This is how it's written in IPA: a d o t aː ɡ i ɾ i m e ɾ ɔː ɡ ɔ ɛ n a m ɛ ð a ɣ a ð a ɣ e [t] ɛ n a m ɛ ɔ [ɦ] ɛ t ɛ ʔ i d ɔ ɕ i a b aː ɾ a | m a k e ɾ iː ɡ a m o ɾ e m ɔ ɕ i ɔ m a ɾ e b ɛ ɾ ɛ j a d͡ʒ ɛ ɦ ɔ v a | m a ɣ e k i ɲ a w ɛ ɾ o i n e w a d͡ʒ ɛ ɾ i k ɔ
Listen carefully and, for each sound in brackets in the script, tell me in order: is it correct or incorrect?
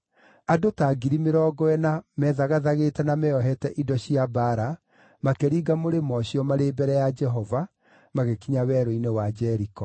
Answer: correct, correct

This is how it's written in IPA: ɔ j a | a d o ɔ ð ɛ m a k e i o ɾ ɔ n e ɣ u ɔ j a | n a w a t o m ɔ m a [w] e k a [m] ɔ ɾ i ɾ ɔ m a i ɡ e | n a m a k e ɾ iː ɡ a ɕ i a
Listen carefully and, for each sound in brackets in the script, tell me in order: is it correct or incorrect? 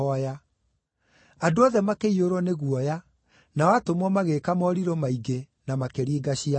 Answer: incorrect, correct

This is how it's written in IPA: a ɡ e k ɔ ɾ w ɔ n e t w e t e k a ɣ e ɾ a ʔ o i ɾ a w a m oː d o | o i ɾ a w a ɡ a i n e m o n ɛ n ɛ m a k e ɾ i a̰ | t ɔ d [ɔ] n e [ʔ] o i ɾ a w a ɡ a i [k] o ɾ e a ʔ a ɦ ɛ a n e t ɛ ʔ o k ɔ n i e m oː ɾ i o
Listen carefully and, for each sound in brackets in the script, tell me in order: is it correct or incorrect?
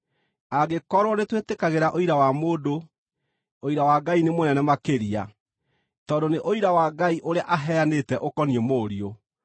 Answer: incorrect, correct, incorrect

